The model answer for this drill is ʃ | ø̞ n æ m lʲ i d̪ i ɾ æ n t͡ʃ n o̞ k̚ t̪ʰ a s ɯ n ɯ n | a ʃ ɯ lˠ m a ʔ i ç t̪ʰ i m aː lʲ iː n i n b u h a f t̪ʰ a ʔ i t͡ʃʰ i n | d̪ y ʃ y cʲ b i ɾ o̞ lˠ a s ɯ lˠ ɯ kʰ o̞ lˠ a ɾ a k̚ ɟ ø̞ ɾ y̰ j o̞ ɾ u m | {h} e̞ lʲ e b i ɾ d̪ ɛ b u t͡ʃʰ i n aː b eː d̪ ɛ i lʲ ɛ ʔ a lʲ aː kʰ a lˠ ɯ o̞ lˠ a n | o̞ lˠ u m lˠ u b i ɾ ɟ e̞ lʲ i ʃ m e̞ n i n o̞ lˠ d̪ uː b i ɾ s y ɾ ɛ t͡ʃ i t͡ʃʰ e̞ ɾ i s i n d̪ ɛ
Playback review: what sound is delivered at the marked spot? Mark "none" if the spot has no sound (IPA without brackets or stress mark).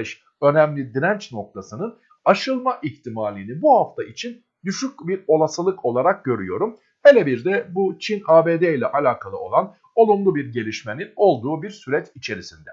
h